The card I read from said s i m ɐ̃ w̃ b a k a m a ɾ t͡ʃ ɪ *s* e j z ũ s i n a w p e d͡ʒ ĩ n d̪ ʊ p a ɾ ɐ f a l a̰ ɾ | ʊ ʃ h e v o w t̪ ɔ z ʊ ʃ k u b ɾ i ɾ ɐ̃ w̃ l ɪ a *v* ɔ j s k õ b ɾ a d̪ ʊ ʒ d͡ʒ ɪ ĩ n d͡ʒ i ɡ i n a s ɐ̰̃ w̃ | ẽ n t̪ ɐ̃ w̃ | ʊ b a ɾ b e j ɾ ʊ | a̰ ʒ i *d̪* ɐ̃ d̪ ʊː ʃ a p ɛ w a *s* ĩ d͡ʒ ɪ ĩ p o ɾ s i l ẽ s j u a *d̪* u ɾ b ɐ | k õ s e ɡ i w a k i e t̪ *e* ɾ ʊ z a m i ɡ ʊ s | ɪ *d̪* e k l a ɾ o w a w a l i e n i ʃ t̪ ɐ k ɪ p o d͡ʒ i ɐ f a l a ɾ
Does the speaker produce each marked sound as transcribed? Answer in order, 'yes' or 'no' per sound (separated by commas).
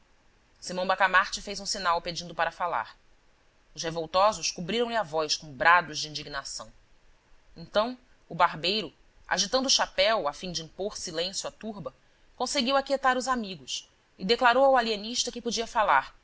no, yes, no, no, no, no, yes